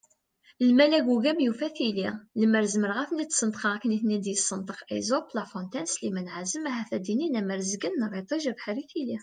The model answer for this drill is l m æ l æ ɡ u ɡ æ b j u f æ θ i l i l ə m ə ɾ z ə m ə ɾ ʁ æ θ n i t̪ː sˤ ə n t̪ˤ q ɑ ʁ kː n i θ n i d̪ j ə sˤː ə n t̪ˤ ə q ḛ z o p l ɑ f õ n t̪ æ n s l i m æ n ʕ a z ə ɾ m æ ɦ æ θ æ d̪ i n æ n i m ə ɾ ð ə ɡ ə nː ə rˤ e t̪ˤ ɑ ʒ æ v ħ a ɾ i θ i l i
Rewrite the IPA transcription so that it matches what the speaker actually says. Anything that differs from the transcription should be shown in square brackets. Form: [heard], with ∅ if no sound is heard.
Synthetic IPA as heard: l m æ l æ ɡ u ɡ æ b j u f æ θ i l i l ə m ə ɾ z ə m ə ɾ ʁ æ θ n i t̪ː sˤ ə n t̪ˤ q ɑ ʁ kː n i θ n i d̪ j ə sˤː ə n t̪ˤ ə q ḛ z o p l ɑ f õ n t̪ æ n s l i m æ n ʕ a z ə [∅] m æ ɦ æ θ æ d̪ i n [i] n [æ] m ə ɾ [z] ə ɡ ə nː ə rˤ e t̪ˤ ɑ ʒ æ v ħ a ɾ i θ i l i